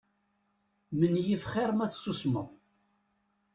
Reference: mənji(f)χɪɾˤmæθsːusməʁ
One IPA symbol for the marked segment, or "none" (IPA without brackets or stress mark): f